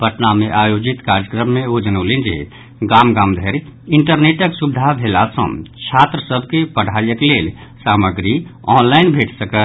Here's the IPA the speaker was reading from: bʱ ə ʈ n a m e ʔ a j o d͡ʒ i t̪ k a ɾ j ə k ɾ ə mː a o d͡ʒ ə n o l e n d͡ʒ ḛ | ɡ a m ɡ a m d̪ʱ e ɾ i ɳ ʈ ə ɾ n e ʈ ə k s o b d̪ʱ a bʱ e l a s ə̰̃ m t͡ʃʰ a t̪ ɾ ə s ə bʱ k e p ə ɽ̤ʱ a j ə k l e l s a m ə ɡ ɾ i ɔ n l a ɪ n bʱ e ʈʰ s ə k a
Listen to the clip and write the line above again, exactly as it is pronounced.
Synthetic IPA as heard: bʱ ə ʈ n a m e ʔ a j o d͡ʒ i t̪ k a ɾ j ə k ɾ ə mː e o d͡ʒ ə n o l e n d͡ʒ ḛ | ɡ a m ɡ a m d̪ʱ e ɾ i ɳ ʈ ə ɾ n e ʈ ə k s u b d̪ʱ a bʱ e l a s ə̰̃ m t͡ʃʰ a t̪ ɾ ə s ə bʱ k e p ə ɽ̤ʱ a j ə k l e l s a m ə ɡ ɾ i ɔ n l a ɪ n bʱ e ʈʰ s ə k ə